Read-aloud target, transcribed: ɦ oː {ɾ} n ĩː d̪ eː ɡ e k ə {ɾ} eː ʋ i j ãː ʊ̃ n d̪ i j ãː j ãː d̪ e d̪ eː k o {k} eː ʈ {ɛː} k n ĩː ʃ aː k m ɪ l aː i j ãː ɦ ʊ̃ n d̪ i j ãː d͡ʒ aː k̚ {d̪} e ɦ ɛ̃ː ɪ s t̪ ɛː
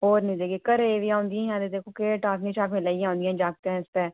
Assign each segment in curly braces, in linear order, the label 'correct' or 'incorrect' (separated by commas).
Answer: correct, correct, correct, incorrect, incorrect